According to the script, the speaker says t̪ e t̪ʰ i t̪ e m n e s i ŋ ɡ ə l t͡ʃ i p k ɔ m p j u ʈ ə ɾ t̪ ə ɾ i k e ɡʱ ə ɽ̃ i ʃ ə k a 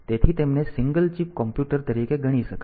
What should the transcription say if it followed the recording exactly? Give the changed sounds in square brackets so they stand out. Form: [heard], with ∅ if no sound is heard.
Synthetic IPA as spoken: t̪ e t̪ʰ i t̪ e m n e s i ŋ ɡ ə l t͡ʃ i p k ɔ m p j u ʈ ə ɾ t̪ ə ɾ i k e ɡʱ ə ɽ̃ i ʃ ə k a